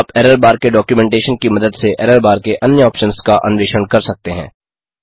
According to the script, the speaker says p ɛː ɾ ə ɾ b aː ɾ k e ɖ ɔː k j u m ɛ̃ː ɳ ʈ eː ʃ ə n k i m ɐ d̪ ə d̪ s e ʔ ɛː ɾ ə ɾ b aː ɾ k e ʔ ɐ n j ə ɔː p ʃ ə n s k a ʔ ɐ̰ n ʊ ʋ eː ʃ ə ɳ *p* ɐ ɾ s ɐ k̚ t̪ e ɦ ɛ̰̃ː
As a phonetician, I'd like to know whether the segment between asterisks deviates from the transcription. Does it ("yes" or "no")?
yes